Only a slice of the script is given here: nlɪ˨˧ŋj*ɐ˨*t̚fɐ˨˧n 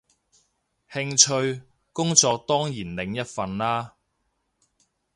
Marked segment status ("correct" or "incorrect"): incorrect